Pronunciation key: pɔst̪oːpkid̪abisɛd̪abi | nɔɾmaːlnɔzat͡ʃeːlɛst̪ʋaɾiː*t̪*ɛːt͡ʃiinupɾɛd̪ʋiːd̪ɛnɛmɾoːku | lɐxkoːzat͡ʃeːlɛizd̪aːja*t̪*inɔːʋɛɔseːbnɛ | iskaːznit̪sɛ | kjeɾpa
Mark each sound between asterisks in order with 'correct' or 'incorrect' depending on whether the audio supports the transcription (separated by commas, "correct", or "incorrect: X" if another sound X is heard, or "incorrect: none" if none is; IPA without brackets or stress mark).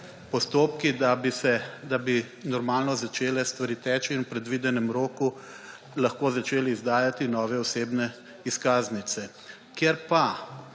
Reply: correct, correct